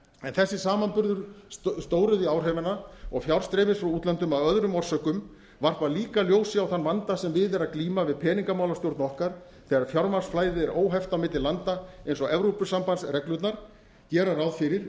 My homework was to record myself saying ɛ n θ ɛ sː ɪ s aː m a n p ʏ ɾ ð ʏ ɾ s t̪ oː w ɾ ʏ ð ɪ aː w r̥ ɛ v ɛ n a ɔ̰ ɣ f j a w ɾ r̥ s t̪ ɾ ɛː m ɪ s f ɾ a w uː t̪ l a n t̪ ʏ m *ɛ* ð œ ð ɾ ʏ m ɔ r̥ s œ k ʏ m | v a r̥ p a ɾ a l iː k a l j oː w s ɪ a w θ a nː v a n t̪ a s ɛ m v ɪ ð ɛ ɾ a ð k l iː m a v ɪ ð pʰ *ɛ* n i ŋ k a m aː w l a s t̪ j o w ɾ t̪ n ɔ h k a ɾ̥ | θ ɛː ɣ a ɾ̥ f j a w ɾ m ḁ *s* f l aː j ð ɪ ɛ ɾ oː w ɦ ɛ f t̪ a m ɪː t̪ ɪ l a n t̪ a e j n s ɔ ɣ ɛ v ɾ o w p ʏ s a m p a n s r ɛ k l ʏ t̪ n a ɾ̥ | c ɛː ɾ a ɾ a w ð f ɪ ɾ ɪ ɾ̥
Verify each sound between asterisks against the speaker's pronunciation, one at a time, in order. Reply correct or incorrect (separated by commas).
incorrect, incorrect, correct